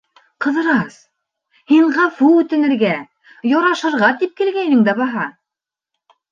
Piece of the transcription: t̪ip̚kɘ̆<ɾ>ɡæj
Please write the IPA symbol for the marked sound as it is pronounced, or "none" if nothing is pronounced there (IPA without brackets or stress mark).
l